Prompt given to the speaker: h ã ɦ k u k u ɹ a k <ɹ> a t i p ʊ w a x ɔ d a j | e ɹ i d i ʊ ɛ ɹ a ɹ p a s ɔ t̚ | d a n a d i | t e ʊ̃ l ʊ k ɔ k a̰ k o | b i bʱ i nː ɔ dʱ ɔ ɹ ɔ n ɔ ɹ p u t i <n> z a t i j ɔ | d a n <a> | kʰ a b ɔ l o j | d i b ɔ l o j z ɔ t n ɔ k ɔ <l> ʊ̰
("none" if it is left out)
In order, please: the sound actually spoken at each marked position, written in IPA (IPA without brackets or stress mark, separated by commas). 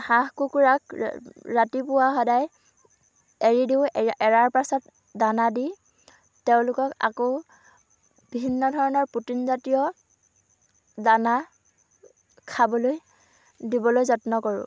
ɹ, n, a, ɹ